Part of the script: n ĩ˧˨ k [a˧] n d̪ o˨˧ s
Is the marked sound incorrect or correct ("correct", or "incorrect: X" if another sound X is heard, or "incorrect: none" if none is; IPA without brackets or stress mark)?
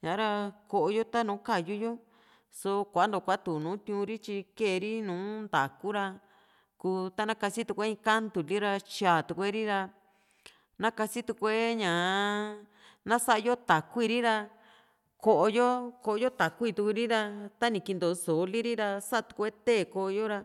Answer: incorrect: i˧